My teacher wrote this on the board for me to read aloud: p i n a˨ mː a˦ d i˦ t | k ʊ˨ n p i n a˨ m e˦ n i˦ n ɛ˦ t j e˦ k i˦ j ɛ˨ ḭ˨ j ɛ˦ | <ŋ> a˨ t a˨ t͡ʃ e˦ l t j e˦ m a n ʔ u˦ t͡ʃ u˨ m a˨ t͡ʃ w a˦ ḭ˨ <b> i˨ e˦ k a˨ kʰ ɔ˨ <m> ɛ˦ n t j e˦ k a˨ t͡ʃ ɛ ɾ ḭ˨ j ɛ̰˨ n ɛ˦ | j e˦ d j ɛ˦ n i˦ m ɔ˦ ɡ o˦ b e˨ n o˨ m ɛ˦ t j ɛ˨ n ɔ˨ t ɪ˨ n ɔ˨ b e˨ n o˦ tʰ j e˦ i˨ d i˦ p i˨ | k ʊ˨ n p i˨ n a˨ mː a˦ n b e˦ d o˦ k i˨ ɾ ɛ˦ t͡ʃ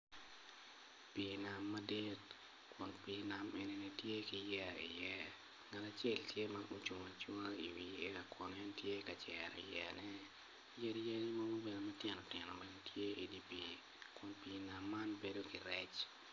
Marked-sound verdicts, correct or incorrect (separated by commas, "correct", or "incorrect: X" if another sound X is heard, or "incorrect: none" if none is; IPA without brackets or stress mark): correct, incorrect: w, incorrect: n